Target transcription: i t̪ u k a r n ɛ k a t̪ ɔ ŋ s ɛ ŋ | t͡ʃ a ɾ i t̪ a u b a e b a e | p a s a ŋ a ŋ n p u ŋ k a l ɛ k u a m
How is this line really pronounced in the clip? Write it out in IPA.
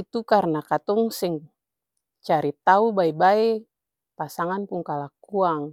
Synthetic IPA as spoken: i t̪ u k a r n a k a t̪ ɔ ŋ s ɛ ŋ | t͡ʃ a ɾ i t̪ a u b a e b a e | p a s a ŋ a n p u ŋ k a l a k u a ŋ